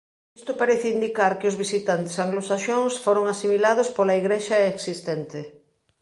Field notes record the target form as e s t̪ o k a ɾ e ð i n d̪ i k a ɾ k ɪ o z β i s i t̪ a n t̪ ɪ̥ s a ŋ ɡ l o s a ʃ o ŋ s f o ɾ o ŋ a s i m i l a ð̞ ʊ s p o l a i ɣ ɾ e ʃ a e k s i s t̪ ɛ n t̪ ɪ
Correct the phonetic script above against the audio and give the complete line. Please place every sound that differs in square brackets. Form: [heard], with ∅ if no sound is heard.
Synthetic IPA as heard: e s t̪ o [p] a ɾ e [θ] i n d̪ i k a ɾ k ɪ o z β i s i t̪ a n t̪ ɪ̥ s a ŋ ɡ l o s a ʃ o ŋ s f o ɾ o ŋ a s i m i l a ð̞ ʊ s p o l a i ɣ ɾ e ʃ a e k s i s t̪ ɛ n t̪ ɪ

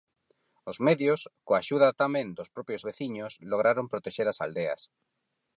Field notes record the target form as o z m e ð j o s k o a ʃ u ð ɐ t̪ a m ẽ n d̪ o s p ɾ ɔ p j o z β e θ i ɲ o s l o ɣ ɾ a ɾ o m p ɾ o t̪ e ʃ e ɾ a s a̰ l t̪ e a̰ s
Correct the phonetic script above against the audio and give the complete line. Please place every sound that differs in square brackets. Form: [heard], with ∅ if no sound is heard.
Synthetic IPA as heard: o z m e ð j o s k o a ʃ u ð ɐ t̪ a m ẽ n d̪ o s p ɾ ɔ p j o z β e θ i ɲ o s l o ɣ ɾ a ɾ o m p ɾ o t̪ e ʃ e ɾ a s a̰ l [d̪] e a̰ s

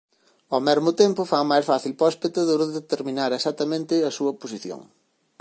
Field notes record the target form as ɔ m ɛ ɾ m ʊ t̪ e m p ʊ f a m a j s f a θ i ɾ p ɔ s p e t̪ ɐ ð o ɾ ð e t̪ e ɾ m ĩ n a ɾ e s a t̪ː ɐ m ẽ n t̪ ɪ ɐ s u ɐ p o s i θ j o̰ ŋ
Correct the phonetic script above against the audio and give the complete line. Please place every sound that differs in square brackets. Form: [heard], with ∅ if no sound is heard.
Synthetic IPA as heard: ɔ m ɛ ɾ m ʊ t̪ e m p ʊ f a m a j s f a θ i [l] p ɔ s p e t̪ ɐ ð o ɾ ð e t̪ e ɾ m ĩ n a ɾ e s a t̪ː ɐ m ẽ n t̪ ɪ ɐ s u ɐ p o s i θ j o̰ ŋ

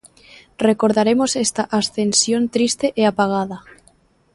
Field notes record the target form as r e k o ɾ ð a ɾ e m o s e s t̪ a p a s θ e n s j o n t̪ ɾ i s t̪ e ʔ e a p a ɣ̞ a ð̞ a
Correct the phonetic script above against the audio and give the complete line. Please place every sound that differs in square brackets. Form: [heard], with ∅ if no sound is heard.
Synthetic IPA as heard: r e k o ɾ ð a ɾ e m o s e s t̪ a [ʔ] a s θ e n s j o n t̪ ɾ i s t̪ e ʔ e a p a ɣ̞ a ð̞ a

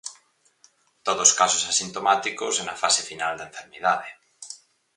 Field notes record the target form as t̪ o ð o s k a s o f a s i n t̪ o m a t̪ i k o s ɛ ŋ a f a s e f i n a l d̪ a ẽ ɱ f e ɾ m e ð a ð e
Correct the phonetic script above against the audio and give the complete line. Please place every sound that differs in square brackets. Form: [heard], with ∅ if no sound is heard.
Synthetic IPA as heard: t̪ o ð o s k a s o [s] a s i n t̪ o m a t̪ i k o s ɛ [n] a f a s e f i n a l d̪ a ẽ ɱ f e ɾ m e ð a ð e

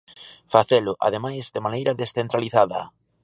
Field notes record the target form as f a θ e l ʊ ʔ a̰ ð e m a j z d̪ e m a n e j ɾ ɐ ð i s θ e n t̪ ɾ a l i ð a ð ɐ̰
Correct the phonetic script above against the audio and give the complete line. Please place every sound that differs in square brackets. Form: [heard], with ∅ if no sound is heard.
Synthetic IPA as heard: f a θ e l ʊ ʔ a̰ ð e m a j z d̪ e m a n e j ɾ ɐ ð [e] s θ e n t̪ ɾ a l i [θ] a ð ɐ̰

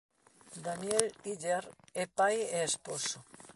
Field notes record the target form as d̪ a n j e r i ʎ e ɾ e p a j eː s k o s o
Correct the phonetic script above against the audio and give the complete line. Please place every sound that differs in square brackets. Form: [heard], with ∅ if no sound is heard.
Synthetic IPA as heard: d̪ a n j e [l] i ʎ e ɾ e p a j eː s [p] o s o

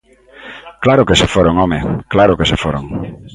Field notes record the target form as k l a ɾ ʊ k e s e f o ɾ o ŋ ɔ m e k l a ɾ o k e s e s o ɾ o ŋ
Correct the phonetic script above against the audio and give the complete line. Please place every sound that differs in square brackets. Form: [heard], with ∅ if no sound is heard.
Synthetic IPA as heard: k l a ɾ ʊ k e s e f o ɾ o ŋ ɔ m e k l a ɾ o k e s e [f] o ɾ o ŋ

